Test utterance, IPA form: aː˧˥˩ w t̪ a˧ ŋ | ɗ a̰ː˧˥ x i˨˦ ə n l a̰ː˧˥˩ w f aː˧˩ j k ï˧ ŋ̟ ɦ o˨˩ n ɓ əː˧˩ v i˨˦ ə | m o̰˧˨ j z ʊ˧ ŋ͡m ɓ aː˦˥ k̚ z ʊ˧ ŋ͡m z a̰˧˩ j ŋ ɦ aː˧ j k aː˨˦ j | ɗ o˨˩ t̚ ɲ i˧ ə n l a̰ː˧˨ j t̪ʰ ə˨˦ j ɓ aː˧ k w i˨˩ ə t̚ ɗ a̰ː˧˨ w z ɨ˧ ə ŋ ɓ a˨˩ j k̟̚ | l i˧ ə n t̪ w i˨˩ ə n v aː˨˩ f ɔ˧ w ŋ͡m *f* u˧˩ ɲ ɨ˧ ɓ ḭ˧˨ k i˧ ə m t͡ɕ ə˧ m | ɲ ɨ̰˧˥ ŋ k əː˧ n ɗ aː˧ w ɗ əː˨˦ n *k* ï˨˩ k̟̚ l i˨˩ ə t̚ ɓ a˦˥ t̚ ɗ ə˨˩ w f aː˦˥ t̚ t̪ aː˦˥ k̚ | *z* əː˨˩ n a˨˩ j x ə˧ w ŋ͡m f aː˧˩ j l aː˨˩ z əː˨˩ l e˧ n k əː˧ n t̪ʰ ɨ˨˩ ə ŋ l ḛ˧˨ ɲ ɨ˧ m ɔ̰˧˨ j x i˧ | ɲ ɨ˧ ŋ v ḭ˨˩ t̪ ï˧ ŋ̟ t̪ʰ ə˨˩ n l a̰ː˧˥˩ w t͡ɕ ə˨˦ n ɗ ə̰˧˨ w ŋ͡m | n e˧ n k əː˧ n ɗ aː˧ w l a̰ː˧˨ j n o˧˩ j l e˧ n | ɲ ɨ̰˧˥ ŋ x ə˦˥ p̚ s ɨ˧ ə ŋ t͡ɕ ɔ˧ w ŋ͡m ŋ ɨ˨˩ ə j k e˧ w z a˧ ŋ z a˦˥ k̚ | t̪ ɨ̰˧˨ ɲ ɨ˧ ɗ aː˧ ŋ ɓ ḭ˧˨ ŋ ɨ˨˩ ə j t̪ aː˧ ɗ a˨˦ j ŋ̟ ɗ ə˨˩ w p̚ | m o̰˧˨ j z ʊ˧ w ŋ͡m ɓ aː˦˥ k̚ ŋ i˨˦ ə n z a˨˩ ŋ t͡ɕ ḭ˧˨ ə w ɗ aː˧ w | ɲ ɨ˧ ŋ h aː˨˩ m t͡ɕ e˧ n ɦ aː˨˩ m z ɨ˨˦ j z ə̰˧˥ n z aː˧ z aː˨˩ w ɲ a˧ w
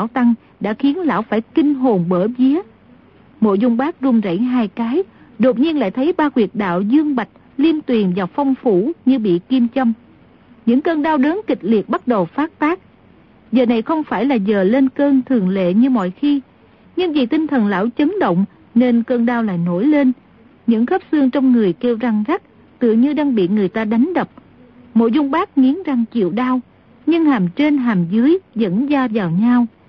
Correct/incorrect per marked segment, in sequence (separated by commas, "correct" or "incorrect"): correct, correct, correct